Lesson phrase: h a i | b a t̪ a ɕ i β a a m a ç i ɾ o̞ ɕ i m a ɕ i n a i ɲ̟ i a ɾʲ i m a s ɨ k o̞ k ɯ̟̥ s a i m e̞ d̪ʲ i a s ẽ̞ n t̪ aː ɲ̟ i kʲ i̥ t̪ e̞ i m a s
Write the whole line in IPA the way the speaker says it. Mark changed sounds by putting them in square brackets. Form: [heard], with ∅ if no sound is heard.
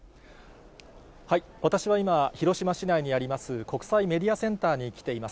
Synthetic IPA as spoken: h a i | [β] a t̪ a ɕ i β a [i] m a ç i ɾ o̞ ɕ i m a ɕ i n a i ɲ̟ i a ɾʲ i m a s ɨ k o̞ k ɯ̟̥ s a i m e̞ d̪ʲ i a s ẽ̞ n t̪ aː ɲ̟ i kʲ i̥ t̪ e̞ i m a s